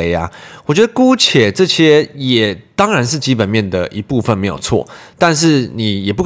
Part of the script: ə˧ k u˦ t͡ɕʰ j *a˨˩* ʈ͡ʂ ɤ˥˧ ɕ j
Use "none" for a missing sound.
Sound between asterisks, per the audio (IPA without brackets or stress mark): ɛ˨˩